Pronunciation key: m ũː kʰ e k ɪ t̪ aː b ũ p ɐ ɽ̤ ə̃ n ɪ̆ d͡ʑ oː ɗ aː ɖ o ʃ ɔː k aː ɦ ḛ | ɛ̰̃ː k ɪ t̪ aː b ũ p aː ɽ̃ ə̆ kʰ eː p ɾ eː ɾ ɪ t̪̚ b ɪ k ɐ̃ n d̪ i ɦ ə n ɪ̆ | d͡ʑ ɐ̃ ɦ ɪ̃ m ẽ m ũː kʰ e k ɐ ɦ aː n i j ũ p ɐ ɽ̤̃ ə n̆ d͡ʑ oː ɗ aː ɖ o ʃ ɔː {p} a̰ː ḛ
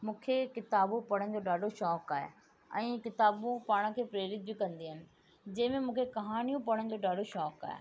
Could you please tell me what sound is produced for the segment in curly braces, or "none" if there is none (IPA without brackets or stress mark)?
k